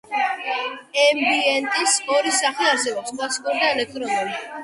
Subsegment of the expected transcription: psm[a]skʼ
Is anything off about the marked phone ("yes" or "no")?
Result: no